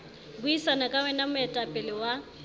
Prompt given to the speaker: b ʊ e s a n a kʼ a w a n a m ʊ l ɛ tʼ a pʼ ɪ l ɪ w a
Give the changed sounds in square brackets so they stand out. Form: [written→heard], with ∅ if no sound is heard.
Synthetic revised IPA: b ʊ [e→i] s a n a kʼ a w [a→ɛ] n a m ʊ [l→∅] ɛ tʼ a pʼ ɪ l ɪ w a